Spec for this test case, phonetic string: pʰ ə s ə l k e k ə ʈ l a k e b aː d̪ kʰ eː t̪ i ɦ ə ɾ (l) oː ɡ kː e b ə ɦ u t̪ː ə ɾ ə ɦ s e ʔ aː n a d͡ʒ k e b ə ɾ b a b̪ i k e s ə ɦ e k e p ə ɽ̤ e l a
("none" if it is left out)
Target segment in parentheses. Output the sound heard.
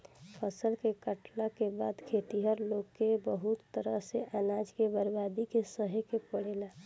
l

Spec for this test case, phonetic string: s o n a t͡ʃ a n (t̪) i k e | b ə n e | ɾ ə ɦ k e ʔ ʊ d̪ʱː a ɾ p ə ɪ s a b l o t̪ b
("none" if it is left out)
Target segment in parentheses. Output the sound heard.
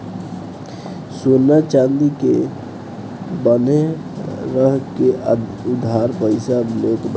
d̪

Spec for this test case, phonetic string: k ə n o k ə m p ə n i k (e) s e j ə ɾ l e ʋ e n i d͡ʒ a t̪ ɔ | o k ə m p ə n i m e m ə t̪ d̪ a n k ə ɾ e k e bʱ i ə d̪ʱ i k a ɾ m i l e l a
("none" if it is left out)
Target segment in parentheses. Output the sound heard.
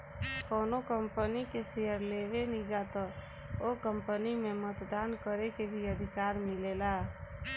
e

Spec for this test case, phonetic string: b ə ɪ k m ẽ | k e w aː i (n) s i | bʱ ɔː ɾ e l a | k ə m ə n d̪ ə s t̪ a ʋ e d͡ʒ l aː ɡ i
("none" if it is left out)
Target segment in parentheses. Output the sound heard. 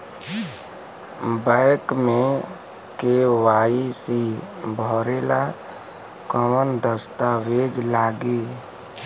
none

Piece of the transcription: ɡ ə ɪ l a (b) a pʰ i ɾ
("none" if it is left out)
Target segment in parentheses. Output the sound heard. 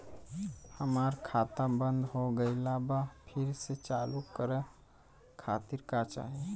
b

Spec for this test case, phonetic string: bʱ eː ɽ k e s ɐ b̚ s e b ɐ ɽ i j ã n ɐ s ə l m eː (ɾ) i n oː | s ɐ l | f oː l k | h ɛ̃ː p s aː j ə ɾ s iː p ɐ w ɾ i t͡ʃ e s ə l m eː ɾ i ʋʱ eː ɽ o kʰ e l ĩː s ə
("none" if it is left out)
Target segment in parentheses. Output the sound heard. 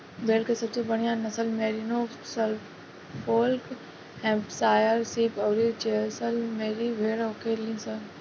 ɾ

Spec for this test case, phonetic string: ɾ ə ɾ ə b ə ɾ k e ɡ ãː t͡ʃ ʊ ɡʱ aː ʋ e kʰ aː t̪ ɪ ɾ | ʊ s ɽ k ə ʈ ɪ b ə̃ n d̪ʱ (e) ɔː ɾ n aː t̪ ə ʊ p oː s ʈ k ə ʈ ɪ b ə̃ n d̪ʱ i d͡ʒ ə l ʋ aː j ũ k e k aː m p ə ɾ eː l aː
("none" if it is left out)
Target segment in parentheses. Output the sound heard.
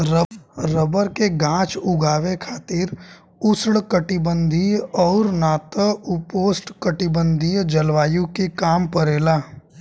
i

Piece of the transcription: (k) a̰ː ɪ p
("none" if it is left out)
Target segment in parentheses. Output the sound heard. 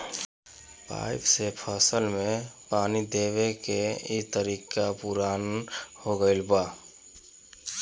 p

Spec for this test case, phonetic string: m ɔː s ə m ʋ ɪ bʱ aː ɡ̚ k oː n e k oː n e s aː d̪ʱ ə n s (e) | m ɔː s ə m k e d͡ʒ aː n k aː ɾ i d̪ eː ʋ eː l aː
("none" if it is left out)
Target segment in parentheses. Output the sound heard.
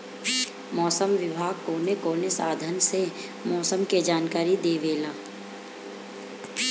e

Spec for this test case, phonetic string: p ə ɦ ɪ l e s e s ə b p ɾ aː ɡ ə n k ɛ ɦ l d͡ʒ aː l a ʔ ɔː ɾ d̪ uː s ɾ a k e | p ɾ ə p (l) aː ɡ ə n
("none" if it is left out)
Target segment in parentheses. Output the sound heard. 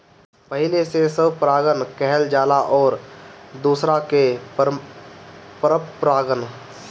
ɾ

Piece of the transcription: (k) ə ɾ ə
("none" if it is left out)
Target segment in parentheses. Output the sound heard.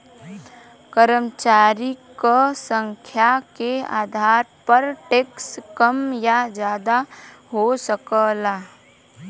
k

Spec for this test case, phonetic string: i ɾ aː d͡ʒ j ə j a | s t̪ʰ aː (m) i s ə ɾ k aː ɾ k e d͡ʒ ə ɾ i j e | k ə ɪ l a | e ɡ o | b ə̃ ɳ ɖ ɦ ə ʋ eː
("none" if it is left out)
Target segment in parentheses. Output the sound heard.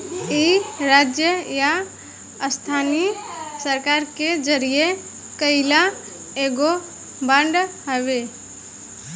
n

